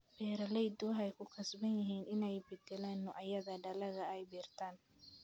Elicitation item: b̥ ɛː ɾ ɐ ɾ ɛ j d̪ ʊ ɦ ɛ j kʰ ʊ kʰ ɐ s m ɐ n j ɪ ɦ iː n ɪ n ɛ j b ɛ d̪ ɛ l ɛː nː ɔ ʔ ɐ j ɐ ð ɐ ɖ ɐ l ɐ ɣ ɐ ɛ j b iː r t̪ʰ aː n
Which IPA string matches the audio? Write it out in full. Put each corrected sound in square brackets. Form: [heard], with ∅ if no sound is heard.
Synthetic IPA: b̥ ɛː ɾ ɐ [l] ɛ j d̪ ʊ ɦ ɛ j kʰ ʊ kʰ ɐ s [b] ɐ n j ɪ ɦ iː n ɪ n ɛ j b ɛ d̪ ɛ l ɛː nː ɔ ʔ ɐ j ɐ ð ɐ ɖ ɐ l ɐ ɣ ɐ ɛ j b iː r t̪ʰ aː n